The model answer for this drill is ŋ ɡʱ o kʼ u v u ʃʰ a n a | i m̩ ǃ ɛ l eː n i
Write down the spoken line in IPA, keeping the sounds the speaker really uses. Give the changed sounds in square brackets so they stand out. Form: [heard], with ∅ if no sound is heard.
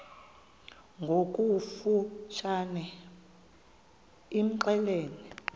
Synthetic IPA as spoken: ŋ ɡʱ o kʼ u [f] u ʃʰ a n [ɛ] | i m̩ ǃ ɛ l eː n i